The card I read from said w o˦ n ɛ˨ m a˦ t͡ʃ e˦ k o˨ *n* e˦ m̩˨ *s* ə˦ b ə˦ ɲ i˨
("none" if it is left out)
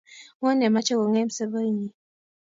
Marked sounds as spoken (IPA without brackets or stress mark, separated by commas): ŋ, s